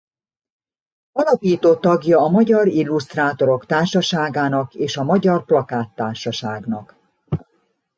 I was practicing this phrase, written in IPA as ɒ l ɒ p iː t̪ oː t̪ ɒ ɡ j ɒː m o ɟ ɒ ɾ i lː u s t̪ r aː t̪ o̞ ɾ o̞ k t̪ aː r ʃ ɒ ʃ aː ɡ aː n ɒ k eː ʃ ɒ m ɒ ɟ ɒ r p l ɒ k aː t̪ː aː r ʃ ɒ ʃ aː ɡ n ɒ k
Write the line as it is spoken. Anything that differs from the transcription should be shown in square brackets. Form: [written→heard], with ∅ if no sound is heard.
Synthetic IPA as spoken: ɒ l ɒ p iː t̪ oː t̪ ɒ ɡ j ɒː m [o→ɒ] ɟ ɒ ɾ i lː u s t̪ r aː t̪ o̞ ɾ o̞ k t̪ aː r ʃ ɒ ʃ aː ɡ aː n ɒ k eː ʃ ɒ m ɒ ɟ ɒ r p l ɒ k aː t̪ː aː r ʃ ɒ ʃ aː ɡ n ɒ k